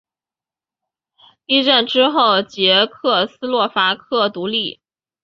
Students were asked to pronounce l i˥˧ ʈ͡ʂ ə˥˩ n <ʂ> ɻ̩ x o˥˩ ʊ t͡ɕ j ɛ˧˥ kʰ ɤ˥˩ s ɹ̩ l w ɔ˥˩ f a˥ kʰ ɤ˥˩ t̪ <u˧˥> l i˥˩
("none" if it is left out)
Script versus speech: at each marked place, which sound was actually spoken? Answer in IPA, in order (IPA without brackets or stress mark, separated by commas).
ʈ͡ʂ, u˧˥